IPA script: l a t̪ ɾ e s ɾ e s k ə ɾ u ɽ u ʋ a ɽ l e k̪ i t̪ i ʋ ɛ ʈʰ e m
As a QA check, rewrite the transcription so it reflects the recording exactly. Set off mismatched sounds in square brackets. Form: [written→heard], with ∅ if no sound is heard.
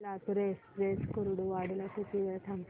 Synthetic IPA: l a t̪ ɾ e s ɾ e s k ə ɾ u ɽ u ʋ a ɽ l [e→a] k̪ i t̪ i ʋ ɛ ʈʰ [e→a] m